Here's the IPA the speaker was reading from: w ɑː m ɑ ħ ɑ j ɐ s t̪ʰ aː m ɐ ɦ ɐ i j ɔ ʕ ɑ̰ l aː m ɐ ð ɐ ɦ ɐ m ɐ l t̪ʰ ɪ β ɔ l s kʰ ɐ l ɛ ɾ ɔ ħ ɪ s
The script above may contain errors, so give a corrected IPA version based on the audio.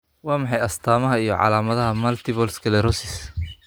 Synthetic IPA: w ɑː m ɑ ħ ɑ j ɐ s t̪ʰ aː m ɐ ɦ ɐ i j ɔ ʕ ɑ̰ l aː m ɐ ð ɐ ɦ ɐ m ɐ l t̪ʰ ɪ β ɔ l s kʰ ɐ l ɛ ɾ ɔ s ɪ s

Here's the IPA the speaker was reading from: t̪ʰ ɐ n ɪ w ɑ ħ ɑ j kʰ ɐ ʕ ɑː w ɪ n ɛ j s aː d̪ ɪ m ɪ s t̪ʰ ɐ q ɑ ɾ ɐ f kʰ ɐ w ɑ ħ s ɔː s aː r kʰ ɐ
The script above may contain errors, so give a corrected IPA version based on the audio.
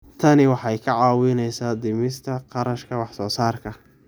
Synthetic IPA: t̪ʰ ɐ n ɪ w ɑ ħ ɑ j kʰ ɐ ʕ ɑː w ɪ n ɛ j s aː d̪ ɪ m ɪ s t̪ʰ ɐ q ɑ ɾ ɐ ʃ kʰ ɐ w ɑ ħ s ɔː s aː r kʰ ɐ

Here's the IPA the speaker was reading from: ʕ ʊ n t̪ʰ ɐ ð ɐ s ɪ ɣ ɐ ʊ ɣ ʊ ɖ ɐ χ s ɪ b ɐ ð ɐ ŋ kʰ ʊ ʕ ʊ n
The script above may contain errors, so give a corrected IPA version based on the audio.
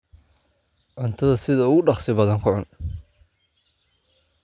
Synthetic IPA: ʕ ʊ n t̪ʰ ɐ ð ɐ s ɪ ð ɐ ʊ ɣ ʊ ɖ ɑ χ s ɪ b ɐ ð ɐ ŋ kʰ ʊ ʕ ʊ n

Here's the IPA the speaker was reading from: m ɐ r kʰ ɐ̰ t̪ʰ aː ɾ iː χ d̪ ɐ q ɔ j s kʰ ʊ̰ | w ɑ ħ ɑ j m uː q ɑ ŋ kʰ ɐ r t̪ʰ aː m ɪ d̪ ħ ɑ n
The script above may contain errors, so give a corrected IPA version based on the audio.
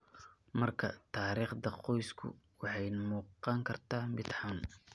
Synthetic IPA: m ɐ r kʰ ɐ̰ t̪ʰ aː ɾ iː χ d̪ ɐ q ɔ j s kʰ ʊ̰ | w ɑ ħ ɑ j m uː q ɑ ŋ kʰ ɐ r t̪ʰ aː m ɪ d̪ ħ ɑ n

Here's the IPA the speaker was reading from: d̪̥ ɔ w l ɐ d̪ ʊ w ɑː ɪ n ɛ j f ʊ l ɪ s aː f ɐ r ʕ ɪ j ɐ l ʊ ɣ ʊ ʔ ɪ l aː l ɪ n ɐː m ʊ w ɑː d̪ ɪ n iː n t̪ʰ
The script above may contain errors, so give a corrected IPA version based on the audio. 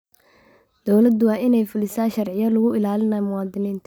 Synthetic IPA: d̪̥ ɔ w l ɐ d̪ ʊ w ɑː ɪ n ɛ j f ʊ l ɪ s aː ʃ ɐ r ʕ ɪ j ɐ l ʊ ɣ ʊ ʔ ɪ l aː l ɪ n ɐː m ʊ w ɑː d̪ ɪ n iː n t̪ʰ

